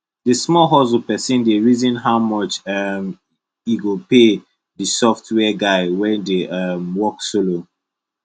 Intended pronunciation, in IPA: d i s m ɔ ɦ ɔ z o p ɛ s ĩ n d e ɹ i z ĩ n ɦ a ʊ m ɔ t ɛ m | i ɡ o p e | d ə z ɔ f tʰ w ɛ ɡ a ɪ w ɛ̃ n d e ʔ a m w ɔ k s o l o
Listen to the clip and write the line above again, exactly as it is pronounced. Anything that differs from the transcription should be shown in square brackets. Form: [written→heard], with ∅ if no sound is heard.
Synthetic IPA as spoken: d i s m ɔ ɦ ɔ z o p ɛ s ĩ n d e ɹ i z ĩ n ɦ a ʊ m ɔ [t→t͡ʃ] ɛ m | i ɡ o p e | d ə [z→s] ɔ f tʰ w ɛ ɡ a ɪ w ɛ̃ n d e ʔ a m w ɔ k s o l o